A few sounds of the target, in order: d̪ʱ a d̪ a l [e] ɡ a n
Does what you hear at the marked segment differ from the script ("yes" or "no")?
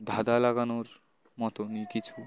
yes